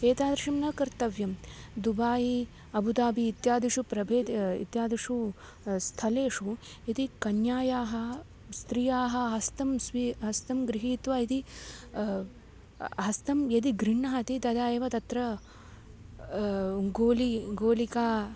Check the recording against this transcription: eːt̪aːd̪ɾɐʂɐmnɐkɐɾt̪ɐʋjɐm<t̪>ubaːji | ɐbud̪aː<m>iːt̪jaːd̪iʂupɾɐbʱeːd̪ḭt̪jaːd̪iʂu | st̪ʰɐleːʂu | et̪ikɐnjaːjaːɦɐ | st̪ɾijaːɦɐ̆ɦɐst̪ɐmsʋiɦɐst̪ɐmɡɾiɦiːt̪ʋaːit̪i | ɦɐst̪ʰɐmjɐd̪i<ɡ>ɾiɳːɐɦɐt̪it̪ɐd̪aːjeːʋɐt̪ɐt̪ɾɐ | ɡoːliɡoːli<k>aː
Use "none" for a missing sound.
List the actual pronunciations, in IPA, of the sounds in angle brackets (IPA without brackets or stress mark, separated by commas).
d̪, b, ɡ, k